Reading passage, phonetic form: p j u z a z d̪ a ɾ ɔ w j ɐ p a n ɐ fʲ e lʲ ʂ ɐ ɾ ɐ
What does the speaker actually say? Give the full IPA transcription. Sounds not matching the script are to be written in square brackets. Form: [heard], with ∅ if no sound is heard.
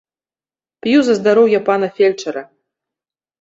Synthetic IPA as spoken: p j u z [ɐ] z d̪ a ɾ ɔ w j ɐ p a n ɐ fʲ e lʲ [t͡ʂ] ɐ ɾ ɐ